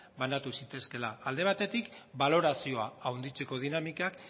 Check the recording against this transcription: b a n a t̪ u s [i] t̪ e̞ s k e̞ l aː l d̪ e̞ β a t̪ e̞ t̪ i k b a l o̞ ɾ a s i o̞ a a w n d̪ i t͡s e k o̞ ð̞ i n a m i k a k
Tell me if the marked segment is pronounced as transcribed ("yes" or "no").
yes